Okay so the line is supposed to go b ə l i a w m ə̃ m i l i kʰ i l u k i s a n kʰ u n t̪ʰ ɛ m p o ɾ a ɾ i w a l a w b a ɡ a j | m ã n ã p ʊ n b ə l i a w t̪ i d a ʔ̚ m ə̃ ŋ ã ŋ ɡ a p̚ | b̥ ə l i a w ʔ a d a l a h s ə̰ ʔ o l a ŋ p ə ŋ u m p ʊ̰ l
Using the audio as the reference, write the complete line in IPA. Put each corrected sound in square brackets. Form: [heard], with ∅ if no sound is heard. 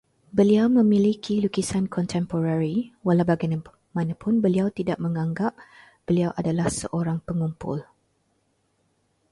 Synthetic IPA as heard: b ə l i a w m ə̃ m i l i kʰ i l u k i s a n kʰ [ɔ] n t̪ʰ ɛ m p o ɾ a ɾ i w a l a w b a ɡ a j | m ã n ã p ʊ n b ə l i a w t̪ i d a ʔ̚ m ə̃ ŋ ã ŋ ɡ a p̚ | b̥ ə l i a w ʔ a d a l a h s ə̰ ʔ o [ɾ] a ŋ p ə ŋ u m p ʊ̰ l